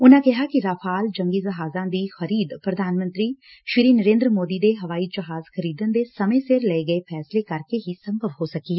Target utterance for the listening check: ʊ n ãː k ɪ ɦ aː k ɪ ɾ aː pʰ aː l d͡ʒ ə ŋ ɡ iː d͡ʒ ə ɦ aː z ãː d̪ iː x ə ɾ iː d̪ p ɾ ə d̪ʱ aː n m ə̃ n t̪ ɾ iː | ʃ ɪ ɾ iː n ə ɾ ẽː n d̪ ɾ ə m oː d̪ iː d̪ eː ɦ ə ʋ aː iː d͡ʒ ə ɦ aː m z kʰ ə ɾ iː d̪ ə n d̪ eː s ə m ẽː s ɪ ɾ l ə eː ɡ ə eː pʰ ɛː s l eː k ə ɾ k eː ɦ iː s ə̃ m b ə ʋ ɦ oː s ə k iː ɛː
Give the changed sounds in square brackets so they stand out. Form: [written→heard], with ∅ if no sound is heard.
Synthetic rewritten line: ʊ n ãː k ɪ ɦ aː k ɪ ɾ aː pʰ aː l d͡ʒ ə ŋ ɡ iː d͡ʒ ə ɦ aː z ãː d̪ iː x ə ɾ iː d̪ p ɾ ə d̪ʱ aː n m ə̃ n t̪ ɾ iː | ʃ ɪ ɾ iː n ə ɾ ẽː n d̪ ɾ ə m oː d̪ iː d̪ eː ɦ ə ʋ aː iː d͡ʒ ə ɦ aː [m→∅] z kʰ ə ɾ iː d̪ ə n d̪ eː s ə m ẽː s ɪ ɾ l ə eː ɡ ə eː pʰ ɛː s l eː k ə ɾ k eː ɦ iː s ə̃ m b ə ʋ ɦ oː s ə k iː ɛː

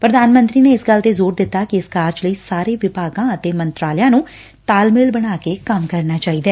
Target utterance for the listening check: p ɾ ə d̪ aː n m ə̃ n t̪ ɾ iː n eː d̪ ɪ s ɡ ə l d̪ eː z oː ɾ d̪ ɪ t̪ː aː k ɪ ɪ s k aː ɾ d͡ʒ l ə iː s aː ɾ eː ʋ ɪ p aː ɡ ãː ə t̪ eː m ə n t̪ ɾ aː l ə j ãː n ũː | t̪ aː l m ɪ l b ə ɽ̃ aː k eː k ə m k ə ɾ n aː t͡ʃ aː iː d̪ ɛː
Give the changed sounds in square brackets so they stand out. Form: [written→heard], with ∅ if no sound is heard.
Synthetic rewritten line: p ɾ ə d̪ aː n m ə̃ n t̪ ɾ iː n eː [d̪→∅] ɪ s ɡ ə l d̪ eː z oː ɾ d̪ ɪ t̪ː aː k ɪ ɪ s k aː ɾ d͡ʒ l ə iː s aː ɾ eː ʋ ɪ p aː ɡ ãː ə t̪ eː m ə n t̪ ɾ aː l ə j ãː n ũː | t̪ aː l m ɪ l b ə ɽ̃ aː k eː k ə m k ə ɾ n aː t͡ʃ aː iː d̪ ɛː

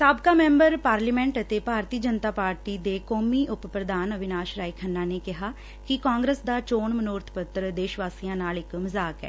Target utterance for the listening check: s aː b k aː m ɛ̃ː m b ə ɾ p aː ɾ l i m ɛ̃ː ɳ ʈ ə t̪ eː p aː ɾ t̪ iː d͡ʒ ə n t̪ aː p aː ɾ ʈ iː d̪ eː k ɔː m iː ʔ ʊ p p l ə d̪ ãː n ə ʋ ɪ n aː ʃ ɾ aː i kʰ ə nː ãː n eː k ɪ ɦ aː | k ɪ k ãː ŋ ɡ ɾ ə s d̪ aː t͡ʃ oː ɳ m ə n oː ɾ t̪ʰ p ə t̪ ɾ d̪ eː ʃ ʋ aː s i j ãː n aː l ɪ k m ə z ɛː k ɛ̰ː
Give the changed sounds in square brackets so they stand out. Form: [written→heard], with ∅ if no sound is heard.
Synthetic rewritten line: s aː b k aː m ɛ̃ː m b ə ɾ p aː ɾ l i m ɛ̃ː ɳ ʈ ə t̪ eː p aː ɾ t̪ iː d͡ʒ ə n t̪ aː p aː ɾ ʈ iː d̪ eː k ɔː m iː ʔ ʊ p p [l→ɾ] ə d̪ [ãː→aː] n ə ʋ ɪ n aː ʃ ɾ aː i kʰ ə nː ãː n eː k ɪ ɦ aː | k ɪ k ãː ŋ ɡ ɾ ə s d̪ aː t͡ʃ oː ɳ m ə n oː ɾ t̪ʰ p ə t̪ ɾ d̪ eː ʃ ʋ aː s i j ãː n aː l ɪ k m ə z [ɛː→aː] k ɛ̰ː

